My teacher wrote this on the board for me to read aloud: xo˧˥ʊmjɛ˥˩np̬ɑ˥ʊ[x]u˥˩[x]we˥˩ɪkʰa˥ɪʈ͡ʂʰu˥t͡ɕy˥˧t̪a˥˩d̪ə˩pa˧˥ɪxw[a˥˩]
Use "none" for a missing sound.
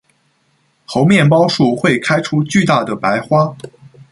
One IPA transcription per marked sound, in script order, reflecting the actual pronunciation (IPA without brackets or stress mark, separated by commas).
ʂ, x, a˥